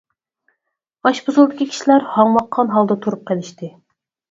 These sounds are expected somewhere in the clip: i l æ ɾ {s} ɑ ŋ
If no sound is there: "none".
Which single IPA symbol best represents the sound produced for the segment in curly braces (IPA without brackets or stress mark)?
h